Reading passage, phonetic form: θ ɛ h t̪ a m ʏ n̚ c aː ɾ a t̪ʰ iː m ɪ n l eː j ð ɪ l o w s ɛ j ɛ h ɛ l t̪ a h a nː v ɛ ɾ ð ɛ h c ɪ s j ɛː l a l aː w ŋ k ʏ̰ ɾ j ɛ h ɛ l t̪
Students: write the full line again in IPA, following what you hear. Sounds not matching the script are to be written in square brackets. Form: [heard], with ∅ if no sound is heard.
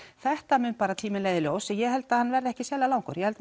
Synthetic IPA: θ ɛ h t̪ a m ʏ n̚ [p] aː ɾ a t̪ʰ iː m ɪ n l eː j ð ɪ l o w s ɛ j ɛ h ɛ l t̪ a h a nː v ɛ ɾ ð ɛ h c ɪ s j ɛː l a l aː w ŋ k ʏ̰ ɾ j ɛ h ɛ l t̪